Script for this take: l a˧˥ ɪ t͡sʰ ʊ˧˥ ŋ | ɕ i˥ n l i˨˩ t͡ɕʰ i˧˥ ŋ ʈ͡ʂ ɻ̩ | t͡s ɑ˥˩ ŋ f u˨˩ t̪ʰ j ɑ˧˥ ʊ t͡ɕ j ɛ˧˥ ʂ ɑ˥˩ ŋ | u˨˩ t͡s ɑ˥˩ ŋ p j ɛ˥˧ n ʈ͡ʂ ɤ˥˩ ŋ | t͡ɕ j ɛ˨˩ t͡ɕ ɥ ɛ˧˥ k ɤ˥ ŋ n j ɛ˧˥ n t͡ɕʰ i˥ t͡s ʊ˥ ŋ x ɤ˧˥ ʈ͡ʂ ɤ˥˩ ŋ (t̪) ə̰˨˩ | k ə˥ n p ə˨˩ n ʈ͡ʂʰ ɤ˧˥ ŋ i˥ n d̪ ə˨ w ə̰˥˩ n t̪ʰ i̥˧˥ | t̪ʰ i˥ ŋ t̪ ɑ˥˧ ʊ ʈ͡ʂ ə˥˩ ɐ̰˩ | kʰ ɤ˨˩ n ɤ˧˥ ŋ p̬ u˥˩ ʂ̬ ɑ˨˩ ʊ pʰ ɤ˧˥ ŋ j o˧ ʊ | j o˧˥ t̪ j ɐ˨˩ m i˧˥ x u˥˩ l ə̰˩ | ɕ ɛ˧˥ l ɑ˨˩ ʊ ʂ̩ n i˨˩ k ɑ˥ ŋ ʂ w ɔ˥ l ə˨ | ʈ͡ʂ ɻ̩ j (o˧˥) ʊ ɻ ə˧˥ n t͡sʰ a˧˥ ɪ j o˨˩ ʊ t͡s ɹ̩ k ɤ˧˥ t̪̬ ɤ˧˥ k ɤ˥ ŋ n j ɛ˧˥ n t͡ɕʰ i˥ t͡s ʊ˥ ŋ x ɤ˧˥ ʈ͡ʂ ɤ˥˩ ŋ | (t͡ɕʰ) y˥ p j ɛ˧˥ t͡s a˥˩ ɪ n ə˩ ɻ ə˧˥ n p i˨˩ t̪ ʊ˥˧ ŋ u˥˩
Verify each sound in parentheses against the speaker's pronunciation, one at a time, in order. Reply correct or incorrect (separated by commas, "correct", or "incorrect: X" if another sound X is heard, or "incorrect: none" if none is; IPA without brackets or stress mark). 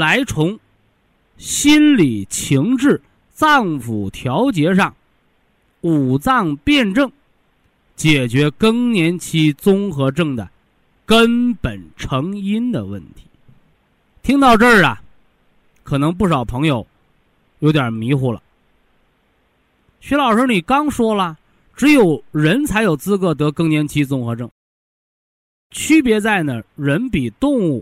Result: incorrect: d̪, incorrect: o˨˩, correct